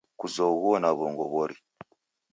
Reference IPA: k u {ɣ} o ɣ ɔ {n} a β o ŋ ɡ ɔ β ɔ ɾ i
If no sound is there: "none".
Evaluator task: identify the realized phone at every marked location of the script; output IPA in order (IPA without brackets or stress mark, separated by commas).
z, n